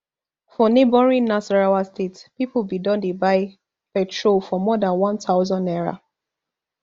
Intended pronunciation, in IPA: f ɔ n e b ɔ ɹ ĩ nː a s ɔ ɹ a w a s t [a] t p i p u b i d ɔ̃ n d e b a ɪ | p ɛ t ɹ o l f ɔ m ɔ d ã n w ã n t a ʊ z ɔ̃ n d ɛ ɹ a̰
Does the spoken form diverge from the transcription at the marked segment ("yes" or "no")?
yes